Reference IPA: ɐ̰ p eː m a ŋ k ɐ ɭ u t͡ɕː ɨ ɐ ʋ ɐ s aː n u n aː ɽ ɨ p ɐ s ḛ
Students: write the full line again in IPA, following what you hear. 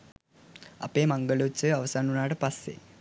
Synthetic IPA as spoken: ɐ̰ p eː m ɐ ŋ ɡ ɐ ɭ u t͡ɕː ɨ ɐ ʋ ɐ s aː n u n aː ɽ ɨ p ɐ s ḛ